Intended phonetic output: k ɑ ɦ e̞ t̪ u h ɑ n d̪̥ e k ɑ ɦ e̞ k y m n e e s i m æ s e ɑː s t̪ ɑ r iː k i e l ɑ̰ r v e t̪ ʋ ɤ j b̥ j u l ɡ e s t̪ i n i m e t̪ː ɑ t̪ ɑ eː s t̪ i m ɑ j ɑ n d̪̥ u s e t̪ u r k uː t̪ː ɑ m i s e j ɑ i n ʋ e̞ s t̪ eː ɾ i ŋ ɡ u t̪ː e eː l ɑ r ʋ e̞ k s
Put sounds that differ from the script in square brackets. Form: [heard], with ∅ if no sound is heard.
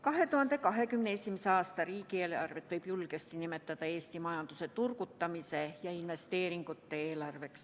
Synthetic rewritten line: k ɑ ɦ e̞ t̪ u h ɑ n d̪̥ e k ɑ ɦ e̞ k y m n e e s i m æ s e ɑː s t̪ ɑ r iː k i e l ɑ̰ r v e t̪ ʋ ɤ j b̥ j u l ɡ e s t̪ i n i m e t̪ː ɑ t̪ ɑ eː s t̪ i m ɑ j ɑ n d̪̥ u s e t̪ u r k [u] t̪ː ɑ m i s e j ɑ i n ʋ e̞ s t̪ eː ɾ i ŋ ɡ u t̪ː e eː l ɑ r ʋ e̞ k s